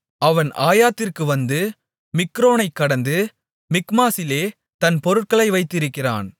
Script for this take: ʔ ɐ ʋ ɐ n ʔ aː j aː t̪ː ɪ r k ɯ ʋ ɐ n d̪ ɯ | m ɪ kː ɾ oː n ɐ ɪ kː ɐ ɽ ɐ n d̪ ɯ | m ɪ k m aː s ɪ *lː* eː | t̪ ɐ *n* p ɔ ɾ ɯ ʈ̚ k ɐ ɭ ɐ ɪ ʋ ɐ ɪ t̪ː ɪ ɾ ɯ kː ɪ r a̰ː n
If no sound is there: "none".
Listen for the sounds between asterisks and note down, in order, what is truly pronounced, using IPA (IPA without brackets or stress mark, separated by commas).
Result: l, n